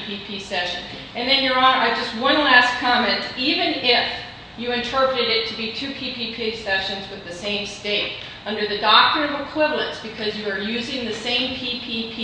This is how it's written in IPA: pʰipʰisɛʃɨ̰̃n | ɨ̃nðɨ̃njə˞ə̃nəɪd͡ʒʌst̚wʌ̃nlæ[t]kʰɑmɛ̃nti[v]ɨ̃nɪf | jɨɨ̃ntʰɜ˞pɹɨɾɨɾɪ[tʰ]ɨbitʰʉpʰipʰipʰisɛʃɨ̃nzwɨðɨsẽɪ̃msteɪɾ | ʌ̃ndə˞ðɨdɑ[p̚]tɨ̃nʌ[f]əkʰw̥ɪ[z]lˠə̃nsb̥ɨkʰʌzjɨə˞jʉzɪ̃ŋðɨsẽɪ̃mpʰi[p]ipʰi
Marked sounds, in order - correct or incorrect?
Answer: incorrect: s, correct, correct, incorrect: k̚, incorrect: v, incorrect: v, incorrect: pʰ

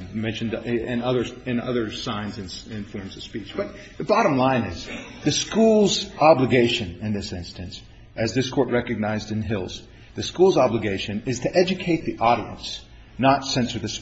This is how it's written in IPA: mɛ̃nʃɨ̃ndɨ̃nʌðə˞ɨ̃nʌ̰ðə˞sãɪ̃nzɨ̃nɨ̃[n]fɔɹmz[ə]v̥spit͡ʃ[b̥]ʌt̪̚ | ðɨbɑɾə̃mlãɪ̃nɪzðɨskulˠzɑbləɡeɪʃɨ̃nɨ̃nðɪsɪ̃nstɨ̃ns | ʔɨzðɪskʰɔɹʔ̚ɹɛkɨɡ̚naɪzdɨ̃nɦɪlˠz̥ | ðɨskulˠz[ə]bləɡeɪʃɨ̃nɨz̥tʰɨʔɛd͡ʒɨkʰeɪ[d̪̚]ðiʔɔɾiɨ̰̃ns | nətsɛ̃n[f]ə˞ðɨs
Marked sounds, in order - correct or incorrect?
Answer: correct, incorrect: ʌ, correct, incorrect: ɑ, incorrect: t̪̚, incorrect: s

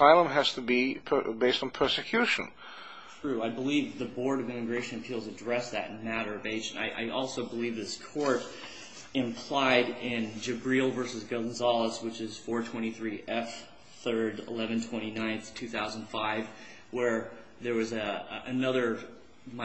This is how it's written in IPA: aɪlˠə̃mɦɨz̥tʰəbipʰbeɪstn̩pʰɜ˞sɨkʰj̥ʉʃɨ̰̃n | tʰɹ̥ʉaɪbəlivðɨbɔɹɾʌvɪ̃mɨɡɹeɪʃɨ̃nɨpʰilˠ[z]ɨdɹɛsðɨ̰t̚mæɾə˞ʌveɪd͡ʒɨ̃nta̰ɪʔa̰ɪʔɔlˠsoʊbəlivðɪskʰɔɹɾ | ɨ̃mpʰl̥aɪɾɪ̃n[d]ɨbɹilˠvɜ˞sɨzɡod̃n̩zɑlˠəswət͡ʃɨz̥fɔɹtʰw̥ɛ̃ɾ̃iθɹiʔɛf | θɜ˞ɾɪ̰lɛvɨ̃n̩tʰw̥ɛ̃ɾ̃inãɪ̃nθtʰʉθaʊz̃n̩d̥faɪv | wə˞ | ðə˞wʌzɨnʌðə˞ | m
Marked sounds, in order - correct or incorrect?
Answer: correct, incorrect: d͡ʒ

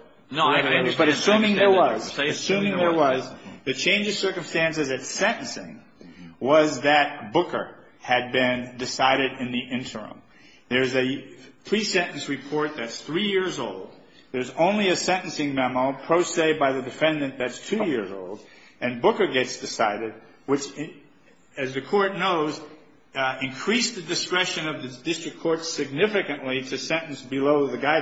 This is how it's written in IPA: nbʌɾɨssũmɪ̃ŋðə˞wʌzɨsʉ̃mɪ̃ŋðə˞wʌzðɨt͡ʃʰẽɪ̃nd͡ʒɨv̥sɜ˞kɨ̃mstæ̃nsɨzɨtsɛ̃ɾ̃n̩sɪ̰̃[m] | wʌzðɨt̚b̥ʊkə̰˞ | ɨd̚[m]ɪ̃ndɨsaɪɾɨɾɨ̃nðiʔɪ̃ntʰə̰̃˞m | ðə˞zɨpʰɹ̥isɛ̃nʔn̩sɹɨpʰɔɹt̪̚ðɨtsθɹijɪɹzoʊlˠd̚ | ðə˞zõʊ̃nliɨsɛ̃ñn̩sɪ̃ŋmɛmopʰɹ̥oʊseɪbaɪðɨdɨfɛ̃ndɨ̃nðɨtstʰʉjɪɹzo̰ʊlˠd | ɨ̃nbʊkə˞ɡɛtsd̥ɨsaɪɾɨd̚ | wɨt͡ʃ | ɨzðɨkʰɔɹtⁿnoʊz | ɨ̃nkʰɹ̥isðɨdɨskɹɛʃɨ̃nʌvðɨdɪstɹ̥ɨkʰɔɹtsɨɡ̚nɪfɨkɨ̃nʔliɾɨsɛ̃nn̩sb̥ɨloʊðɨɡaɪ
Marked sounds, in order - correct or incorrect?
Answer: incorrect: ŋ, incorrect: b

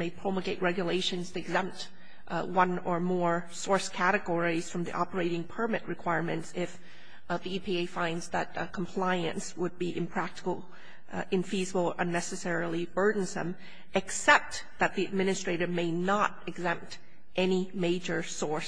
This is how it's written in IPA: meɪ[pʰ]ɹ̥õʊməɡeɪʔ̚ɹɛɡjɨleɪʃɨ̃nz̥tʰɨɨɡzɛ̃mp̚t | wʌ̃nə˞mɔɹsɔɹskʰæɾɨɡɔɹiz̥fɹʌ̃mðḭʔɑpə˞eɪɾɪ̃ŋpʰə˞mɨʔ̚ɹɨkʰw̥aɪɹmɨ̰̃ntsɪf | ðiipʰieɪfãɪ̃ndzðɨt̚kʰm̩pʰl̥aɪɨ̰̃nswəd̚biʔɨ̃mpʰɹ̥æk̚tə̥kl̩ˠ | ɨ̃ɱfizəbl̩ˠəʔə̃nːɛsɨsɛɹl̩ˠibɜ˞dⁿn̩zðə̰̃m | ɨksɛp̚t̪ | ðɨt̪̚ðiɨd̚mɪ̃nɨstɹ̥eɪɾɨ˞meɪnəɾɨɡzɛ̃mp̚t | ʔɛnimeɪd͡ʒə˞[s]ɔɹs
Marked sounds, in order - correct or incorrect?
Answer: correct, correct

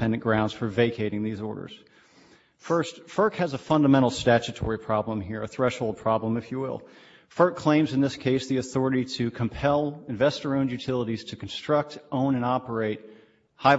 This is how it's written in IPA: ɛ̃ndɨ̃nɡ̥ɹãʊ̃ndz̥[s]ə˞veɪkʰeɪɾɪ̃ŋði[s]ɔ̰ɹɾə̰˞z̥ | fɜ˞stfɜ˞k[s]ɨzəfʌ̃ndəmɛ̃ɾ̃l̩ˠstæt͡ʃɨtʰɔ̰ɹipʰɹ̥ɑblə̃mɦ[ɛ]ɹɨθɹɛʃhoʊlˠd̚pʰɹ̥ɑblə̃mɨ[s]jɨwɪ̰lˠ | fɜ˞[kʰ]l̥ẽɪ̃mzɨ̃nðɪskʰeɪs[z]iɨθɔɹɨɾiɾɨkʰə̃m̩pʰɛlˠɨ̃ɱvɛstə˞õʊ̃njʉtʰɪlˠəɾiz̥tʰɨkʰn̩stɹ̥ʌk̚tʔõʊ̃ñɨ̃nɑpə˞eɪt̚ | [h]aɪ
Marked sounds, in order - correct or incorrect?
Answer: incorrect: f, incorrect: z, incorrect: h, incorrect: i, incorrect: f, correct, incorrect: ð, correct

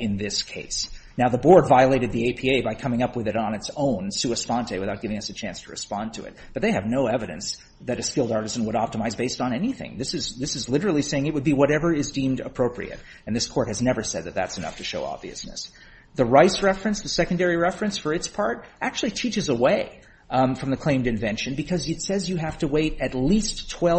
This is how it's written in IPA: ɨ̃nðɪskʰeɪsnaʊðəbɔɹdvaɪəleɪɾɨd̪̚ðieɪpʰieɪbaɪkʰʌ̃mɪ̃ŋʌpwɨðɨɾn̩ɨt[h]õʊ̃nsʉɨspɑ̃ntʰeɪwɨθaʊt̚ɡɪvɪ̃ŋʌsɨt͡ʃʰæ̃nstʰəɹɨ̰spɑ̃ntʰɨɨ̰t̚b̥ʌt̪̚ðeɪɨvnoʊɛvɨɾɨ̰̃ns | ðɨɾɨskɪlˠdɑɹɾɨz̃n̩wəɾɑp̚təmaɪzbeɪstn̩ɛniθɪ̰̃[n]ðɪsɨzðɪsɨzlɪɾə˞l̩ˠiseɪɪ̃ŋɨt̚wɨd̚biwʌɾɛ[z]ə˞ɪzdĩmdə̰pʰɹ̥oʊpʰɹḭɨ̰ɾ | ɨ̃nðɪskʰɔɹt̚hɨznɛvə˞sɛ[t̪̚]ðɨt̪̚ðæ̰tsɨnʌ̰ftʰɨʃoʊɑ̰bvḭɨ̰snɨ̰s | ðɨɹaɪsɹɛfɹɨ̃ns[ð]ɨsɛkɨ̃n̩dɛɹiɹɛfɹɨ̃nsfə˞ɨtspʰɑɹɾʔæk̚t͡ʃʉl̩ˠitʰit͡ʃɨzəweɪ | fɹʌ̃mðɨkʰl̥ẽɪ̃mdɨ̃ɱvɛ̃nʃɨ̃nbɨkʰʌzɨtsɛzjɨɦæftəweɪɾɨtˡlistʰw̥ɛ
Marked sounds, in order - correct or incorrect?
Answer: incorrect: s, incorrect: ŋ, incorrect: v, incorrect: d̪̚, correct

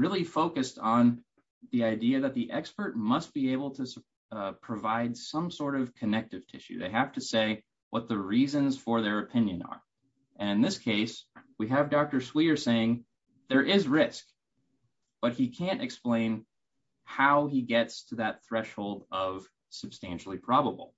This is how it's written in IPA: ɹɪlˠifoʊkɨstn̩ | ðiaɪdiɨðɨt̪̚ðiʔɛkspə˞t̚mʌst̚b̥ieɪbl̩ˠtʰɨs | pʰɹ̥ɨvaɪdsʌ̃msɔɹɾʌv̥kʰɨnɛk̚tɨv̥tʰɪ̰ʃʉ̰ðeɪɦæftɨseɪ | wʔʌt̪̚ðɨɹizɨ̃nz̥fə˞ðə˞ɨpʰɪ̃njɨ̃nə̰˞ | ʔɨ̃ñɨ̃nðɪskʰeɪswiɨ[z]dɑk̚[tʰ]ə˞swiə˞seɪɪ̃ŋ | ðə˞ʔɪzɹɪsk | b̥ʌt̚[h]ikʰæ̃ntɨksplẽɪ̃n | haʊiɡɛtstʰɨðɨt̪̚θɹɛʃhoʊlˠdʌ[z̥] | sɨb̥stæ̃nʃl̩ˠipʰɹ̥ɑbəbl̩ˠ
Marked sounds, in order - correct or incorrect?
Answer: incorrect: v, incorrect: t, correct, incorrect: v̥

